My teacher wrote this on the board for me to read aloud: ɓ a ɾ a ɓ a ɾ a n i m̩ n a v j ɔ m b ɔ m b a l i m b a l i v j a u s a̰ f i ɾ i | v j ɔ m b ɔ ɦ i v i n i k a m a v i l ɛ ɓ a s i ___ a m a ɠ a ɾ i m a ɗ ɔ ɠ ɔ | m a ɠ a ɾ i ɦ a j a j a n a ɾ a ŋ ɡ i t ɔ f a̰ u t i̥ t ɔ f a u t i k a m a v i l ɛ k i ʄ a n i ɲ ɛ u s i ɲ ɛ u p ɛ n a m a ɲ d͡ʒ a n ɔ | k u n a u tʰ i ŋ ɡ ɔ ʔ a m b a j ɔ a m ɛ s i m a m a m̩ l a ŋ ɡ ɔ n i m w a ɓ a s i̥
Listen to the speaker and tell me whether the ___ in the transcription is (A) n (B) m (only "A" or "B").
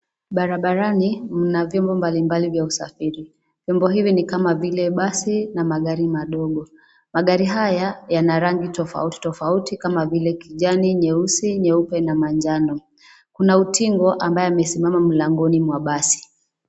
A